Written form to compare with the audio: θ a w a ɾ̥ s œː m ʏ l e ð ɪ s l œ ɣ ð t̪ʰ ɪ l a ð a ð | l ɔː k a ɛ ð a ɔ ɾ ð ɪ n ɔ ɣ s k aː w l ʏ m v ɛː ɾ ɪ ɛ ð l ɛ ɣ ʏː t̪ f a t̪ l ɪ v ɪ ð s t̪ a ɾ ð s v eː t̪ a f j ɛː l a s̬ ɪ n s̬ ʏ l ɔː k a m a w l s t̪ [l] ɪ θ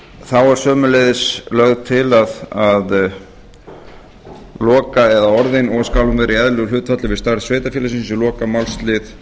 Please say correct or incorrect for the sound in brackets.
correct